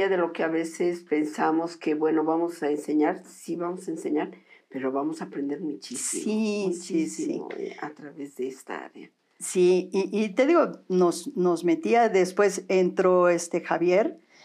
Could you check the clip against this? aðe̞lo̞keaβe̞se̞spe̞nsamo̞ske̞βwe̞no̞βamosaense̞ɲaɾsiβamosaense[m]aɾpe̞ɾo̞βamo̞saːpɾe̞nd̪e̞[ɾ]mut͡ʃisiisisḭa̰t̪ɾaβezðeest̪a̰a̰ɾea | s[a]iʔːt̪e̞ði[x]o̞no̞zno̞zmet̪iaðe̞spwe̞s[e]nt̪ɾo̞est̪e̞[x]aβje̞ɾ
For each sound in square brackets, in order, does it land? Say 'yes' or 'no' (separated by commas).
no, yes, no, no, yes, yes